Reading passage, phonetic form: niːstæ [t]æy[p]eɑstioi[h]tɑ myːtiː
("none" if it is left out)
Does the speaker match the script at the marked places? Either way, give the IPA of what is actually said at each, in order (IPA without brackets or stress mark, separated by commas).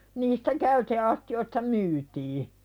k, t, s